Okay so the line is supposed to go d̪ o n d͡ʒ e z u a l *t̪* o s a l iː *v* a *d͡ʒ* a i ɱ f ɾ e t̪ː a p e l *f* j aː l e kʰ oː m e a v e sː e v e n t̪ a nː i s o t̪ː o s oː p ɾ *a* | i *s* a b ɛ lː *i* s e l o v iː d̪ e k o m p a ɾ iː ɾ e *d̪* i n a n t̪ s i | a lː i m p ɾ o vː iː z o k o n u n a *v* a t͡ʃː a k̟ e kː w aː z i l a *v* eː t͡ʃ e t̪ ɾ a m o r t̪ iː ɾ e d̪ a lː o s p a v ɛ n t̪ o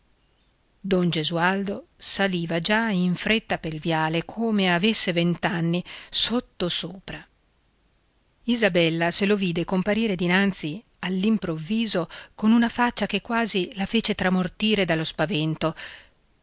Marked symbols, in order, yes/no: no, yes, yes, no, yes, no, no, yes, no, no

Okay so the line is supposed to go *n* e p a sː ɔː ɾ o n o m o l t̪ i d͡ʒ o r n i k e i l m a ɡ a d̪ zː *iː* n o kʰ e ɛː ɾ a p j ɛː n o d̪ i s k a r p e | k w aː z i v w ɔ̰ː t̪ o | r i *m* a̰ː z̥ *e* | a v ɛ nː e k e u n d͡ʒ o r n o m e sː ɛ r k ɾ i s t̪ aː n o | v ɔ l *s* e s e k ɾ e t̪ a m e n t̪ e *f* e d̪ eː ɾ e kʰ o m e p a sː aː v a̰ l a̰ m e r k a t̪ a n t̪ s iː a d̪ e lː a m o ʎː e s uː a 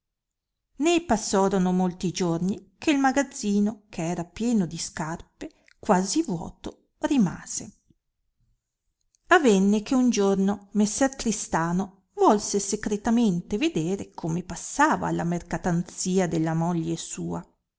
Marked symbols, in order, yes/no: yes, yes, yes, yes, yes, no

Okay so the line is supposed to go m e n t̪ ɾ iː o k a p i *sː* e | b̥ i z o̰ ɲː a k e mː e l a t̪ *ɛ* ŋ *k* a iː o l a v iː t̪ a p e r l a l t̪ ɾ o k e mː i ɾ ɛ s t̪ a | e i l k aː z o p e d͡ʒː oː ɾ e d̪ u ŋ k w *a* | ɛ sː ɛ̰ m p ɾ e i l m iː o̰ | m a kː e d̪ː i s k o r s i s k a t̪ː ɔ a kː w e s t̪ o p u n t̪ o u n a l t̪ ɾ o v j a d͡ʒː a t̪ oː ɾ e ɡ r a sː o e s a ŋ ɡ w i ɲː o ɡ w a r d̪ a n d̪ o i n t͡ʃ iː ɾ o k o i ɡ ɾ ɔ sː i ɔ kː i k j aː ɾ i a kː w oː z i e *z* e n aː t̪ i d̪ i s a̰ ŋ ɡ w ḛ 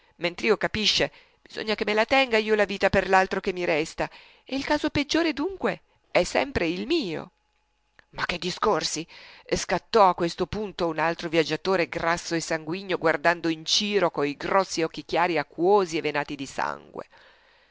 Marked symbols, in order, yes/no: no, yes, no, no, no

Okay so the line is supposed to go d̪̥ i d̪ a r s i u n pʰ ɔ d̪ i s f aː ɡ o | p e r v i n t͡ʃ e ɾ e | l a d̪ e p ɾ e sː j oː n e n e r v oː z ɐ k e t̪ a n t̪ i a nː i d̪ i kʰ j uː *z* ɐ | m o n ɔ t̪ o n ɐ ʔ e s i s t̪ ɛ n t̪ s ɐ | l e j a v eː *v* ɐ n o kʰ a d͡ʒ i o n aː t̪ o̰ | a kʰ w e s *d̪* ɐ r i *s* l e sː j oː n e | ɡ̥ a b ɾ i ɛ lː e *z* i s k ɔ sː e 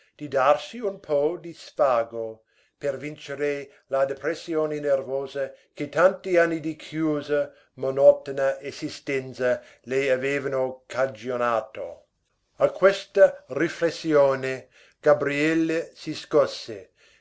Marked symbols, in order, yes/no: yes, yes, no, no, no

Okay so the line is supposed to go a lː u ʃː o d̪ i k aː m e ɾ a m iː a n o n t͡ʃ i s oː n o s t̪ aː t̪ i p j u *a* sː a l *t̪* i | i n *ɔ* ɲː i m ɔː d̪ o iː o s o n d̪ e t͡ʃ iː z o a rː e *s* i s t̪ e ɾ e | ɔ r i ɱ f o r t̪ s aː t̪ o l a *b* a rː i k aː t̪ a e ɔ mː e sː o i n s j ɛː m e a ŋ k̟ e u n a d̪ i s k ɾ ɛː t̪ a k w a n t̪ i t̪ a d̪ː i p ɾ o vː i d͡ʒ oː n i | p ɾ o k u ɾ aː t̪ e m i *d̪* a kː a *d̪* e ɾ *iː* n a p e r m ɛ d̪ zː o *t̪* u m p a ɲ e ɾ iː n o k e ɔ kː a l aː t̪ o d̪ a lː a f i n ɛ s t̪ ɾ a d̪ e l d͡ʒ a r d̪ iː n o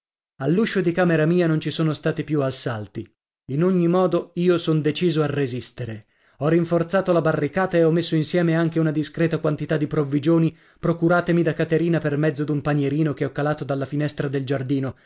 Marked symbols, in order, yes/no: yes, yes, no, no, yes, yes, no, yes, no

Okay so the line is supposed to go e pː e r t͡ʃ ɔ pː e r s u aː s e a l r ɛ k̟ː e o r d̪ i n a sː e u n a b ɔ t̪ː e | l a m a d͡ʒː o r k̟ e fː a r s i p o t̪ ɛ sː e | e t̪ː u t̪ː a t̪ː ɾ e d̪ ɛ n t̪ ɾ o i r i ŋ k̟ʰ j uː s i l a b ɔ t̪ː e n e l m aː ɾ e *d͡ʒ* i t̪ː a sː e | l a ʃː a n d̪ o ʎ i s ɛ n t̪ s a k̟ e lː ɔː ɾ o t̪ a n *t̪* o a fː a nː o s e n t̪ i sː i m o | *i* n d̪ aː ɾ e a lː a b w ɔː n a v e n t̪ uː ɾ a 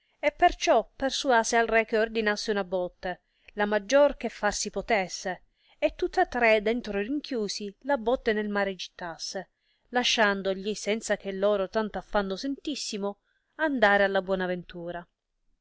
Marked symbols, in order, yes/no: yes, yes, no

